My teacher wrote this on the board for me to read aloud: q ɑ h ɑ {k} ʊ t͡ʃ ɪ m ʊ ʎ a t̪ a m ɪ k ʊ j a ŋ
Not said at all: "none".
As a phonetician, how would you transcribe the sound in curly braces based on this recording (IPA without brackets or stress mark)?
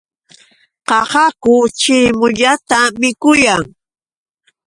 k